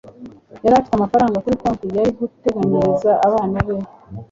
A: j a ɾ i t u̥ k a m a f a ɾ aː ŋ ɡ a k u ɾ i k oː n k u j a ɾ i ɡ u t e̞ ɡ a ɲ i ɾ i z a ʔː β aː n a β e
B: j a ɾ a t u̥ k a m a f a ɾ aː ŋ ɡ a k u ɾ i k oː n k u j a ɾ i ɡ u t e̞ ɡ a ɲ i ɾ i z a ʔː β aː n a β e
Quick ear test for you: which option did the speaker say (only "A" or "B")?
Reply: B